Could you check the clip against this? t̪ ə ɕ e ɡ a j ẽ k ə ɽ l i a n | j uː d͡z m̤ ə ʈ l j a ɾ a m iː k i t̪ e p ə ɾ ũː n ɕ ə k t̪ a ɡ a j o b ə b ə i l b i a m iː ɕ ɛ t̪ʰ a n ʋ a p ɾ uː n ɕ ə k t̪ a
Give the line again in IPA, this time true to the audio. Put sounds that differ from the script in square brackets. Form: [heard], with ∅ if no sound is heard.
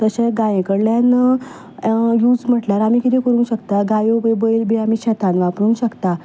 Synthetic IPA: t̪ ə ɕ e ɡ a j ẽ k ə ɽ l [j] a n | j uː d͡z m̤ ə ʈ l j a ɾ a m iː k i t̪ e [k] ə ɾ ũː n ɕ ə k t̪ a ɡ a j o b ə b ə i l b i a m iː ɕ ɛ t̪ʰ a n ʋ a p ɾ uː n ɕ ə k t̪ a